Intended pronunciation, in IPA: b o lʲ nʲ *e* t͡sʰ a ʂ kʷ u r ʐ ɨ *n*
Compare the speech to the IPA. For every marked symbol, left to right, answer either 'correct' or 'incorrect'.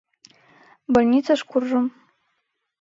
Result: incorrect, incorrect

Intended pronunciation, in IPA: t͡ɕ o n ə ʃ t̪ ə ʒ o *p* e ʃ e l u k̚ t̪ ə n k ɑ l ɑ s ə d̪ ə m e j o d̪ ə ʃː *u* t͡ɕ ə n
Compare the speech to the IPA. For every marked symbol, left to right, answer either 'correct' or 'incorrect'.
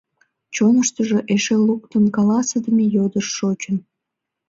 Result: incorrect, incorrect

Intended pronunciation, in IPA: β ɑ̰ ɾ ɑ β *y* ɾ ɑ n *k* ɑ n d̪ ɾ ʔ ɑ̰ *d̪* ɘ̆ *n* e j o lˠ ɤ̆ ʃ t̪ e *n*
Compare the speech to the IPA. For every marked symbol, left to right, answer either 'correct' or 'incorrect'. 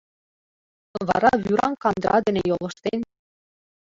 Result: correct, correct, correct, correct, correct

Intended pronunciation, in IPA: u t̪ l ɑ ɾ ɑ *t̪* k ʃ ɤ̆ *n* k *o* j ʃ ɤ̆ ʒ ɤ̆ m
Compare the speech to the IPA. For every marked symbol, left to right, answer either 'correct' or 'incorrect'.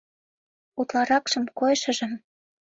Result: incorrect, incorrect, correct

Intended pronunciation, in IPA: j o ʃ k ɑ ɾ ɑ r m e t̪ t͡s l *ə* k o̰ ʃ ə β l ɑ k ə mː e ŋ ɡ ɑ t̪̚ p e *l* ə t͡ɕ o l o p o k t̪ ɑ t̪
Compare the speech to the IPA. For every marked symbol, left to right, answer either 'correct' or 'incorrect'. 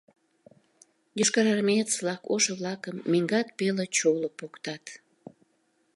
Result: incorrect, correct

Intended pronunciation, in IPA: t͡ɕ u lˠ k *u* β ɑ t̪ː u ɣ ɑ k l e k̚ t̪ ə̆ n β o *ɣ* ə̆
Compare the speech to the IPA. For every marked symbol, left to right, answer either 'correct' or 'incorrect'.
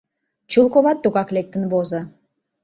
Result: incorrect, incorrect

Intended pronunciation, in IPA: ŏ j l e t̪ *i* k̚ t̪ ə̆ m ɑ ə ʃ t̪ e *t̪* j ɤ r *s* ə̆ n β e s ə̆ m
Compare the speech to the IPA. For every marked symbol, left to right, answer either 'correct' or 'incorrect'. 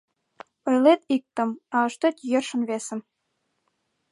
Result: correct, correct, incorrect

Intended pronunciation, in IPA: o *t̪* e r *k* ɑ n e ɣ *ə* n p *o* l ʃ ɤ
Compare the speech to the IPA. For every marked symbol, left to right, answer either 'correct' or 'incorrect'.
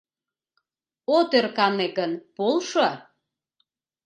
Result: correct, correct, correct, correct

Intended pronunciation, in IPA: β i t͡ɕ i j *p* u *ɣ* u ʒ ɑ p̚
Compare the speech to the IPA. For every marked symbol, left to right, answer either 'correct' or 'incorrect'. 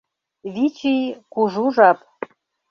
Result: incorrect, incorrect

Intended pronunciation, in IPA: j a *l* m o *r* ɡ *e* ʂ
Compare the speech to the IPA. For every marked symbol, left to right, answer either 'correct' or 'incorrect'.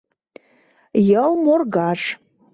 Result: correct, correct, incorrect

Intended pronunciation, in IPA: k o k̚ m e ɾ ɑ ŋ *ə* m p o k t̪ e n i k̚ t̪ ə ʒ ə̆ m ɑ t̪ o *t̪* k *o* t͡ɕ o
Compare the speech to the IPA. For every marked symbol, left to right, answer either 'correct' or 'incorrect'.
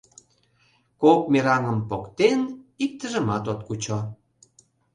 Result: correct, correct, incorrect

